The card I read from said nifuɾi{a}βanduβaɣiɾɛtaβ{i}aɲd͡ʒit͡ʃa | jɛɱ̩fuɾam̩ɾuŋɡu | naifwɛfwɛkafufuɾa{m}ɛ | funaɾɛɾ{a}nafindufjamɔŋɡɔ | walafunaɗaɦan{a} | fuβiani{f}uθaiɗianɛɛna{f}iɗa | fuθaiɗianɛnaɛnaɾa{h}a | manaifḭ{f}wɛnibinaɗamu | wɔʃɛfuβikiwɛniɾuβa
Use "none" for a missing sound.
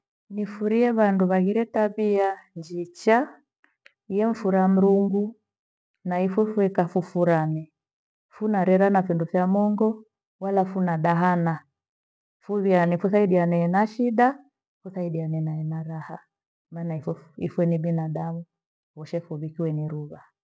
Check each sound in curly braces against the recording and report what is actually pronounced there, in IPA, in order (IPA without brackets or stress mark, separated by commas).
ɛ, i, n, a, a, f, ʃ, h, f